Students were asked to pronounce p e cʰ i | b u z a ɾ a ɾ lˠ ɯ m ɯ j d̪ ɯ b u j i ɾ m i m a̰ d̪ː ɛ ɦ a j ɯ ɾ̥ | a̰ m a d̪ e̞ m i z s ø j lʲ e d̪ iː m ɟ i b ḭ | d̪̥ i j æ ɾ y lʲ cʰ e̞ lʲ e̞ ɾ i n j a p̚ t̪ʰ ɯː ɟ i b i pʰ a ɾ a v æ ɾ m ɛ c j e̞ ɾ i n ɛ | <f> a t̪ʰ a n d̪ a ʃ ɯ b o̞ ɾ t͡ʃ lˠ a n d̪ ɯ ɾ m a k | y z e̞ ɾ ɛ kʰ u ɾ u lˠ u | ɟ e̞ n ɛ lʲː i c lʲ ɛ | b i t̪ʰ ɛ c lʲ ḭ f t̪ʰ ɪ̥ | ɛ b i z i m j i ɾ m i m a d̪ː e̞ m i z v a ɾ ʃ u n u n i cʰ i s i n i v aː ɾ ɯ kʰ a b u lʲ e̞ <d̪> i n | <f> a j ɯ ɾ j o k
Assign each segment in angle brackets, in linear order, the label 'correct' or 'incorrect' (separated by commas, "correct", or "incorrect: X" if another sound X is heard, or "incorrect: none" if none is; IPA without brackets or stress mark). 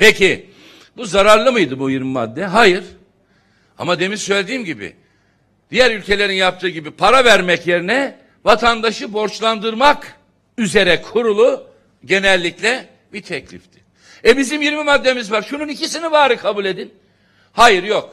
incorrect: v, correct, incorrect: h